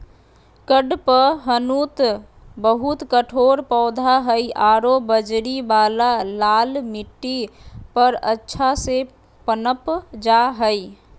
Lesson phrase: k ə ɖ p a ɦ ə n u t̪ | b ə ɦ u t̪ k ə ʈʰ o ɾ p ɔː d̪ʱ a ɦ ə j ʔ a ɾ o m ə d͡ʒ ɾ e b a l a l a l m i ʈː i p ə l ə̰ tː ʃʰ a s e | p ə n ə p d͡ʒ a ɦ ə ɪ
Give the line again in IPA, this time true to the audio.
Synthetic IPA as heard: k ə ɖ p ə ɦ ə n u t̪ | b ə ɦ u t̪ k ə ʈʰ o ɾ p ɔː d̪ʱ a ɦ ə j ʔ a ɾ o b ə d͡ʒ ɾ i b a l a l a l m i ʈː i p ə ɾ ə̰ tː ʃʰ a s e | p ə n ə p d͡ʒ a ɦ ə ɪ